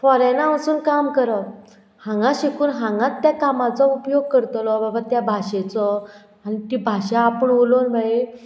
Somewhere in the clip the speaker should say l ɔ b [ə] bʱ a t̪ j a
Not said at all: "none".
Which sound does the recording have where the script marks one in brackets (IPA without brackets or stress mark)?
a